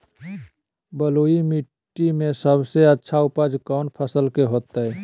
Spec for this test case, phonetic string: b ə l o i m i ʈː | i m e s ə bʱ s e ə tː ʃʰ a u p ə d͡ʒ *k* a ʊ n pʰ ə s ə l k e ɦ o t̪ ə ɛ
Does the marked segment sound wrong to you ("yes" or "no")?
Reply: no